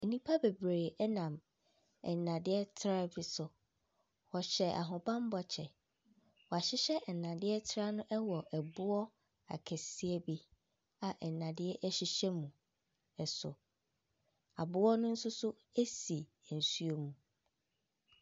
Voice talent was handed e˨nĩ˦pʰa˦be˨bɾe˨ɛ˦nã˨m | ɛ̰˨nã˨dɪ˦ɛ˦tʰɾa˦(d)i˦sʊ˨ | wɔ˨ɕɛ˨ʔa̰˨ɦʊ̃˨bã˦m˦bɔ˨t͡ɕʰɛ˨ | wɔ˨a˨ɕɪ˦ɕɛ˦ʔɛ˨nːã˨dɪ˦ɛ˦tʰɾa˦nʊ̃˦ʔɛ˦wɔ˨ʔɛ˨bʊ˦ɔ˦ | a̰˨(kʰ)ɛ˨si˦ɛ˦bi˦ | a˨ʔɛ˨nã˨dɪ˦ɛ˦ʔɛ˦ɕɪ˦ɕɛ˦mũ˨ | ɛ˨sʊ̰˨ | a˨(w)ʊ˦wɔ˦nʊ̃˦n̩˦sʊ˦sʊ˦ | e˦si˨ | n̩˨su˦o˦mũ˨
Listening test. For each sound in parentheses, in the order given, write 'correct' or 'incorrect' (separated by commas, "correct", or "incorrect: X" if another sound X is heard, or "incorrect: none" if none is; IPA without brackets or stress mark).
incorrect: b, correct, incorrect: b